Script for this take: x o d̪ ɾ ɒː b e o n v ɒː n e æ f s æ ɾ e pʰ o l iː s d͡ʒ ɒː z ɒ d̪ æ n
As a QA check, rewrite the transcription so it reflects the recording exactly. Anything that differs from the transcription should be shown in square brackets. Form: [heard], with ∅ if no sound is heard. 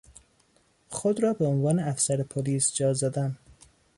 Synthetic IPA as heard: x o d̪ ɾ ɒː b e o n v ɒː n e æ f s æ ɾ e pʰ o l iː s d͡ʒ ɒː z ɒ d̪ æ n